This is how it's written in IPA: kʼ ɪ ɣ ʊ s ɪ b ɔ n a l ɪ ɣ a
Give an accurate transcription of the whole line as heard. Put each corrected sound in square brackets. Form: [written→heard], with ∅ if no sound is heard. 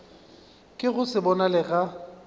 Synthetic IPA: kʼ ɪ ɣ ʊ s ɪ b ɔ n a l ɪ ɣ a